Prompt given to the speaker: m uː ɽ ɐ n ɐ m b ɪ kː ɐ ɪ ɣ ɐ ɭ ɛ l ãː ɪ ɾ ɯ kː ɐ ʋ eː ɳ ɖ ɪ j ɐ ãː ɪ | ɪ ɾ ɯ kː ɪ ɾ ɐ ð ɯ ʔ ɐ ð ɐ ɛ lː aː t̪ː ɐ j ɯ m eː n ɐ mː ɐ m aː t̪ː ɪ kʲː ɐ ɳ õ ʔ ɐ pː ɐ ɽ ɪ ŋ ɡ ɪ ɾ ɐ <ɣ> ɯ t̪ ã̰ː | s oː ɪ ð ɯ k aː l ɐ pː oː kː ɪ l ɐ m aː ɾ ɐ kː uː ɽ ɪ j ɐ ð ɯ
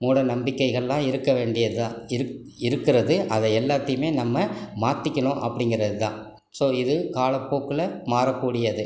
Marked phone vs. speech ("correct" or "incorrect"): incorrect